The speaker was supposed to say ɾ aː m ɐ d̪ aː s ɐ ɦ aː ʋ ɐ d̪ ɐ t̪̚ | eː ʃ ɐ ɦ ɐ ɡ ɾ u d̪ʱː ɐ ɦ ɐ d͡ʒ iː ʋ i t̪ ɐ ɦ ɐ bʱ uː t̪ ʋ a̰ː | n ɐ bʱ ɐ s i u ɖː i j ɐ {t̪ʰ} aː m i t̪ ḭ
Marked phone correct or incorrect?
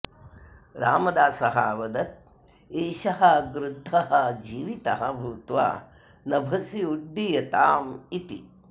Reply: incorrect